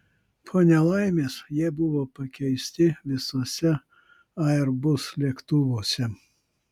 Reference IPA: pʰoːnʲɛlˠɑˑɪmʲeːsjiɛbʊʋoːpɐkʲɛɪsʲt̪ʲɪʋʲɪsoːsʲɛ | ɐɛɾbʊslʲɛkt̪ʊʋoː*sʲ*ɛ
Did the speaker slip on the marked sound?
no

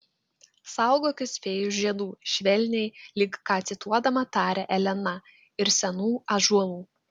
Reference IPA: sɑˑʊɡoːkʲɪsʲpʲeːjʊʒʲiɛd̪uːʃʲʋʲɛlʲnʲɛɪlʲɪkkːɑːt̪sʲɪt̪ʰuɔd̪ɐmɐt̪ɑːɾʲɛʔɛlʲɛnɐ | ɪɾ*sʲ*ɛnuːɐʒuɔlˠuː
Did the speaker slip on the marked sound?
no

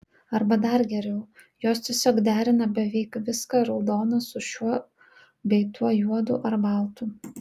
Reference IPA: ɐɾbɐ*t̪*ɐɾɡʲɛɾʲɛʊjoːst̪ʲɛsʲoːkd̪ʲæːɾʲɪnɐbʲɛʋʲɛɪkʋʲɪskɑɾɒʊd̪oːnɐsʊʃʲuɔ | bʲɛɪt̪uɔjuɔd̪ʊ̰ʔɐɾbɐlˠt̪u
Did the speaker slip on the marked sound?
yes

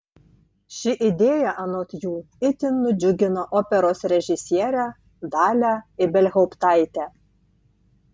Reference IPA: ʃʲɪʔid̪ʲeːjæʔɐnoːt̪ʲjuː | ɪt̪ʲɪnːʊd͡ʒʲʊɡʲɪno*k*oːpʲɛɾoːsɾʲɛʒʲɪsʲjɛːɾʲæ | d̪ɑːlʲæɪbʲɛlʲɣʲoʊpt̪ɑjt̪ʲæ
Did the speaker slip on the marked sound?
yes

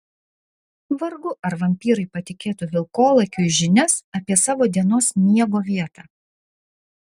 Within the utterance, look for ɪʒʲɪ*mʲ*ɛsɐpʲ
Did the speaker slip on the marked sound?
yes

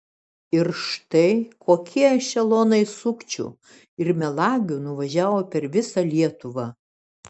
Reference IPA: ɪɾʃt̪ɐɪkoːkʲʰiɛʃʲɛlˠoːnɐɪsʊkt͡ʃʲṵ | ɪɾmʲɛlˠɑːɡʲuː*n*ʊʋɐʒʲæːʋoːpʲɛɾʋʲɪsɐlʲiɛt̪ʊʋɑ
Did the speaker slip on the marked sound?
no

